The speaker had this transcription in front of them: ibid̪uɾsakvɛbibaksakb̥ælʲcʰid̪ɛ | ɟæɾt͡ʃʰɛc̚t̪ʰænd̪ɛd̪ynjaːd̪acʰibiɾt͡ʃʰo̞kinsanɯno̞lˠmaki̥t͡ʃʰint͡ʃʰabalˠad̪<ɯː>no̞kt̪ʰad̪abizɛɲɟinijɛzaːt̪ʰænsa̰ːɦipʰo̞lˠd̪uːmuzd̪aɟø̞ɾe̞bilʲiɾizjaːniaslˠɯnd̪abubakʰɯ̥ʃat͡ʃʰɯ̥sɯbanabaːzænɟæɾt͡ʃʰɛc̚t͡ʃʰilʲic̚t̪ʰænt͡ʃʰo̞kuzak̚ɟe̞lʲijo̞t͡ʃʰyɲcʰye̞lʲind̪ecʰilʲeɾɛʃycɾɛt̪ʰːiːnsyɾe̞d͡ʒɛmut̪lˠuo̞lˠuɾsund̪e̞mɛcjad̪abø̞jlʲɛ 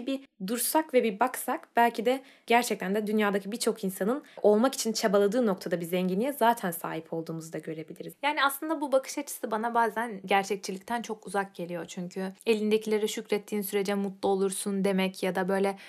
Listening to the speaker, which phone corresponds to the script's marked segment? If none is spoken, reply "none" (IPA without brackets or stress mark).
ɯː